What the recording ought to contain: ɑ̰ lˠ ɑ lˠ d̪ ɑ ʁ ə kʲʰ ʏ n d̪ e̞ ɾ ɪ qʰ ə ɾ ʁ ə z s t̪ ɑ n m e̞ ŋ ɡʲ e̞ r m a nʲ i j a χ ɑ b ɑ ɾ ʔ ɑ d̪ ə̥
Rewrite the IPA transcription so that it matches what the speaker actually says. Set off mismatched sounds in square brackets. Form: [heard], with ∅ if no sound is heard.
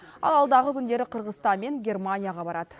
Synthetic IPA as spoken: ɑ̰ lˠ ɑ lˠ d̪ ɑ ʁ ə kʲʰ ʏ n d̪ e̞ ɾ ɪ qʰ ə ɾ ʁ ə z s t̪ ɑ n m e̞ ŋ ɡʲ e̞ r m a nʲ i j a [ʁ] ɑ b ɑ ɾ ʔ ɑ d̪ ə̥

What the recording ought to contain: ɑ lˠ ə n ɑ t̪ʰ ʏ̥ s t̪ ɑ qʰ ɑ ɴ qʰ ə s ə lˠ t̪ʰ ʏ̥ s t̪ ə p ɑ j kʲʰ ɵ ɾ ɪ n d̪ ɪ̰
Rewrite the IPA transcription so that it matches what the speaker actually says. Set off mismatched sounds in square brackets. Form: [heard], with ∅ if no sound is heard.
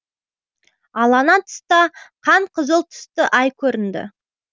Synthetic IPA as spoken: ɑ lˠ [ɑ] n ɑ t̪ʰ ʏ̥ s t̪ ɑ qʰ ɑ ɴ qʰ ə [z] ə lˠ t̪ʰ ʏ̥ s t̪ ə [ʔ] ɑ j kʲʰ ɵ ɾ ɪ n d̪ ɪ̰

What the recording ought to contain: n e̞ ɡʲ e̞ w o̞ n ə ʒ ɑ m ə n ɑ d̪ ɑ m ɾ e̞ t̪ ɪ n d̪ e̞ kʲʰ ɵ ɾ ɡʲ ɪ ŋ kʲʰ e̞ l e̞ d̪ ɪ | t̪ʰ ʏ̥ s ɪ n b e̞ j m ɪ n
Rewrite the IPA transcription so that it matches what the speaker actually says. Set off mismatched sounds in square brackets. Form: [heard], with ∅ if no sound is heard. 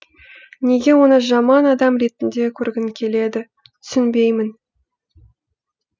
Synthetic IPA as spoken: n e̞ ɡʲ e̞ w o̞ n ə ʒ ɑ m [ɑ] n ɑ d̪ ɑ m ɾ e̞ t̪ ɪ n d̪ e̞ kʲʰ ɵ ɾ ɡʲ ɪ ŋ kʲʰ e̞ l e̞ d̪ ɪ | t̪ʰ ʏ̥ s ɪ n b e̞ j m ɪ n

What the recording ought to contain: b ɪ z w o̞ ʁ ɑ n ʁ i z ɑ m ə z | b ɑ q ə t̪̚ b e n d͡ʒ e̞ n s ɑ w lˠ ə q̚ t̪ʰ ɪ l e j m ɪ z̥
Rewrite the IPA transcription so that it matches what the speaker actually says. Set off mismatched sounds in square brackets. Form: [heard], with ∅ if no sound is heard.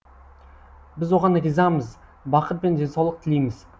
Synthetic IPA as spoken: b ɪ z w o̞ ʁ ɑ n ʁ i z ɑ m ə z | b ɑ q ə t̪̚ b e n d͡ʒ e̞ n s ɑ w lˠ ə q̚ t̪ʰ ɪ l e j m ɪ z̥

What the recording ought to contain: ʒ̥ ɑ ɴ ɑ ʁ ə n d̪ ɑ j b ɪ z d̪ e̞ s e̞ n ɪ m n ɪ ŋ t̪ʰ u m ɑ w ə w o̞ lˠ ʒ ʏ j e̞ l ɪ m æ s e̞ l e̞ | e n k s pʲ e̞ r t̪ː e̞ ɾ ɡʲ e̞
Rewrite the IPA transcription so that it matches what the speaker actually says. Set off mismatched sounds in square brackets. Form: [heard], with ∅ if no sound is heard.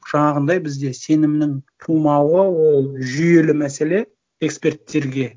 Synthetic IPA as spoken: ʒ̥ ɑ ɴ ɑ ʁ ə n d̪ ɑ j b ɪ z d̪ e̞ s e̞ n ɪ m n ɪ ŋ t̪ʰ u m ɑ w ə w o̞ lˠ ʒ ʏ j e̞ l ɪ m æ s e̞ l e̞ | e [∅] k s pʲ e̞ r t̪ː e̞ ɾ ɡʲ e̞

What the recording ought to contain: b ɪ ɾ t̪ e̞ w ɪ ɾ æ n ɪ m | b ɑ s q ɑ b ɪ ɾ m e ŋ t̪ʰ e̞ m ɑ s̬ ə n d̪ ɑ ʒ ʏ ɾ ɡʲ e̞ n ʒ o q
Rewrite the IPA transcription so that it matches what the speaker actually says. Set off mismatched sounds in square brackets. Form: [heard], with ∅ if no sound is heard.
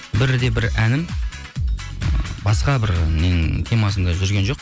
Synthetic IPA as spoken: b ɪ ɾ [d̪] e̞ [b] ɪ ɾ æ n ɪ m | b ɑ s q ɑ b ɪ ɾ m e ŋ t̪ʰ e̞ m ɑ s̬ ə n d̪ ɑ ʒ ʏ ɾ ɡʲ e̞ n ʒ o q

